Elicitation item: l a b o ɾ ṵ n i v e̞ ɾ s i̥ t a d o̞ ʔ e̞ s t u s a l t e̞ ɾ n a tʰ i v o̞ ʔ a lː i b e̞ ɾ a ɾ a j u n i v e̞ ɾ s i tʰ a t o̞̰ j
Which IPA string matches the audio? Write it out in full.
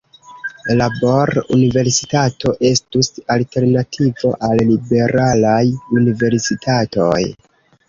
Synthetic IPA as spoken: l a b o ɾ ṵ n i v e̞ ɾ s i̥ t a t o̞ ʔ e̞ s t u s a l t e̞ ɾ n a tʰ i v o̞ ʔ a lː i b e̞ ɾ a l a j u n i v e̞ ɾ s i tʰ a t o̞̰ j